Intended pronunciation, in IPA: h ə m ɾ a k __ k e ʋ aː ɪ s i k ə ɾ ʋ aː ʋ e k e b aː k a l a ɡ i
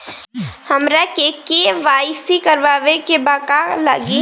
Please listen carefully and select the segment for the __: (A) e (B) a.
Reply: A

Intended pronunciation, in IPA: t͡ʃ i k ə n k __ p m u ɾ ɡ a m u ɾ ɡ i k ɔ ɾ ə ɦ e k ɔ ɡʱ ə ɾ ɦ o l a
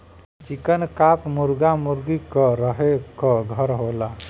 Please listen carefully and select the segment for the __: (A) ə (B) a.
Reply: B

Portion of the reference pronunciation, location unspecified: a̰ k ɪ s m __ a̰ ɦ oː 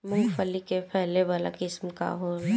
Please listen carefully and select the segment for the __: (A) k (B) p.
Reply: A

